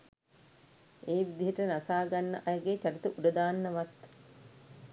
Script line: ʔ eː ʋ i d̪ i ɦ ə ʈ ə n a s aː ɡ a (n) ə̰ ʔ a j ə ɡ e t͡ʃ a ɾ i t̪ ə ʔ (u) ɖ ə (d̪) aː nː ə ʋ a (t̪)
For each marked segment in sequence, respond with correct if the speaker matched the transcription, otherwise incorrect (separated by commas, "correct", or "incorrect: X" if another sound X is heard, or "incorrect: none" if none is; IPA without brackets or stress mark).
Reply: incorrect: nː, correct, correct, correct